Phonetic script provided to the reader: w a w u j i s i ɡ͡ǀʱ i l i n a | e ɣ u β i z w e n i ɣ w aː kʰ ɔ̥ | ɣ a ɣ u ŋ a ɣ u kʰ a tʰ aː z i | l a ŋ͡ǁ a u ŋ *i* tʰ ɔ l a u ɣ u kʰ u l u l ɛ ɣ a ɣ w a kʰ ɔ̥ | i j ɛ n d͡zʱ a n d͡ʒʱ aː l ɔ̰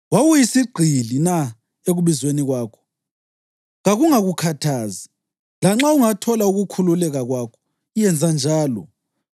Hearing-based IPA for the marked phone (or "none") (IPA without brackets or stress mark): a